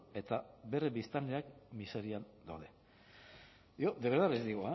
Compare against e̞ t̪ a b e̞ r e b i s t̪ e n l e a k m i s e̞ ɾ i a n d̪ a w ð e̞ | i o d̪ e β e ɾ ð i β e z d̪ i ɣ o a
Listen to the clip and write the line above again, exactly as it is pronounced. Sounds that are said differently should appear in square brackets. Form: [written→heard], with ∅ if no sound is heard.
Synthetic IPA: e̞ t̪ a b e̞ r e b i s t̪ [e→a] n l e a k m i s e̞ ɾ i a n d̪ a w ð e̞ | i o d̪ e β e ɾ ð [i→a] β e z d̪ i ɣ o a